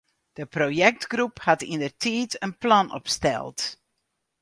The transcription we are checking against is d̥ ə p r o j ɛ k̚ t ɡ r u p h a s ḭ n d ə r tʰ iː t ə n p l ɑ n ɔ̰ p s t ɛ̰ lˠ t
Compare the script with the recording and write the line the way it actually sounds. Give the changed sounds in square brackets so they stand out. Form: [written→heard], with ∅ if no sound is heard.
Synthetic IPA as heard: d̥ ə p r o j ɛ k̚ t ɡ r u p h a [s→t] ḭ n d ə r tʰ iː t ə n p l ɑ n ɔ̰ p s t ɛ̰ lˠ t